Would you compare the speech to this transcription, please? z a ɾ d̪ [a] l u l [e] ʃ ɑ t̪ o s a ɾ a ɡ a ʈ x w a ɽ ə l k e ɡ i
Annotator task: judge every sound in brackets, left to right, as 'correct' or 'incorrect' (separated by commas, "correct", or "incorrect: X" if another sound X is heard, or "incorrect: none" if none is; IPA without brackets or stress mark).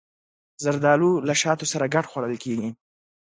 incorrect: ɑ, incorrect: a